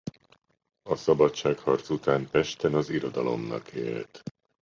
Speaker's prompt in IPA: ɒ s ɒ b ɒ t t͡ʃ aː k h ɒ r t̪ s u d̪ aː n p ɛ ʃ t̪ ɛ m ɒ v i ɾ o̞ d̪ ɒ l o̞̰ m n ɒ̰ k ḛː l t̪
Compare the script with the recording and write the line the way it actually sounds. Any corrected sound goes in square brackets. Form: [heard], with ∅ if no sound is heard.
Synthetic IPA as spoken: ɒ s ɒ b ɒ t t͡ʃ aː k h ɒ r t̪ s u [t̪] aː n p ɛ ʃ t̪ ɛ [n] ɒ [z] i ɾ o̞ d̪ ɒ l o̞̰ m n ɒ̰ k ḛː l t̪